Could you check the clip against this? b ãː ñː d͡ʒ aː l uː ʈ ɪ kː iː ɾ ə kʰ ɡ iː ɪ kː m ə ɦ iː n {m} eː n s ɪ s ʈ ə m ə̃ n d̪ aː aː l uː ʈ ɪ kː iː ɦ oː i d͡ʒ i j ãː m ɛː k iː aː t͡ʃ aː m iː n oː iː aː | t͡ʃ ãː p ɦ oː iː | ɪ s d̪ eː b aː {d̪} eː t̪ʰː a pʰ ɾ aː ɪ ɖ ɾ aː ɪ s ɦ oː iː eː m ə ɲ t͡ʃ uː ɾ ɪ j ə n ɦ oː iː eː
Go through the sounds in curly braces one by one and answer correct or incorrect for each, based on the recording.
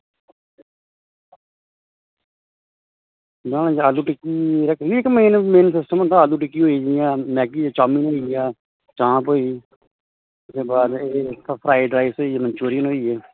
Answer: correct, correct

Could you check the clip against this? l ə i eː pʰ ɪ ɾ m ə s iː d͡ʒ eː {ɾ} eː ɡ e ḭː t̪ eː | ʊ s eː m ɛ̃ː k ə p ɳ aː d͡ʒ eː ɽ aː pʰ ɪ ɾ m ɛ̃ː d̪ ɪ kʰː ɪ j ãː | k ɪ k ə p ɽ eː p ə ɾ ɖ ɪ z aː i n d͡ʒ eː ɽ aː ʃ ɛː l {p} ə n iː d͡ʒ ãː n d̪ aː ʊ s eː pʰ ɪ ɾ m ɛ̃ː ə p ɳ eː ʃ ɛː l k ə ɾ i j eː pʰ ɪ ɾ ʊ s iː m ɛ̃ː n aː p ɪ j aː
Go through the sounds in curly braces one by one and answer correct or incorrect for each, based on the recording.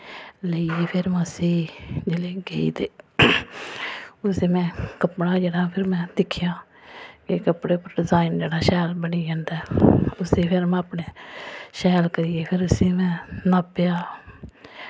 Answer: incorrect, incorrect

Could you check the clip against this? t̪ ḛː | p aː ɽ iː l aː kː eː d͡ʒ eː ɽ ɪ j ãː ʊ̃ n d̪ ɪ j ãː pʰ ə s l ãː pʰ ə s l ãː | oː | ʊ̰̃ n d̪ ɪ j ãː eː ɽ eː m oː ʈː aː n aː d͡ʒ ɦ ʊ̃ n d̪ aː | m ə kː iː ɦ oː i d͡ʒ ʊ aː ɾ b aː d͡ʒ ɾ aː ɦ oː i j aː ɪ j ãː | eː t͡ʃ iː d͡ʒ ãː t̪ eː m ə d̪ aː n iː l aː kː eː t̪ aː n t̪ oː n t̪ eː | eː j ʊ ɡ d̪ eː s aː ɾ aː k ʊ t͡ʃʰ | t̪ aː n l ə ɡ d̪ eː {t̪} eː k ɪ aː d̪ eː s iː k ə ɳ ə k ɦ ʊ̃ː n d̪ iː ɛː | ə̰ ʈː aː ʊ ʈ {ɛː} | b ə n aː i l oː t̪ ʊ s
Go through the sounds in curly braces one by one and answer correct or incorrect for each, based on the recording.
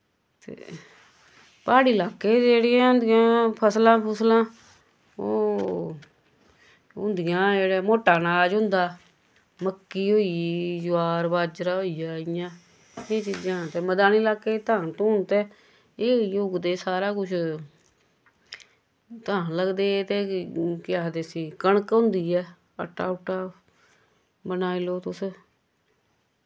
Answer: correct, incorrect

